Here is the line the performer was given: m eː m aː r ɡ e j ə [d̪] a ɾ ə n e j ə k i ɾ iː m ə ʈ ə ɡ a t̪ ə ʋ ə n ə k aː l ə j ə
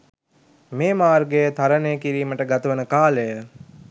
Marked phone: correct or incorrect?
incorrect